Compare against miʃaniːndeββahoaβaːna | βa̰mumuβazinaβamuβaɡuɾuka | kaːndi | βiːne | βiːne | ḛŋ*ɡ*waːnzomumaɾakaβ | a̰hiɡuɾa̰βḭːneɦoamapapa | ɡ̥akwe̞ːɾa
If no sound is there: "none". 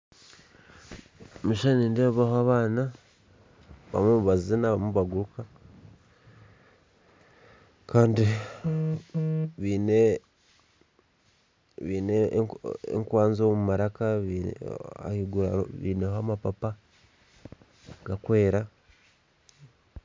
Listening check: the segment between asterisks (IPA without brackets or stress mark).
k